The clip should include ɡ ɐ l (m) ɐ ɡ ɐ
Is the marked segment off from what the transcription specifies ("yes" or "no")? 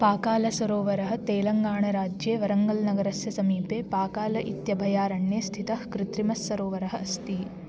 yes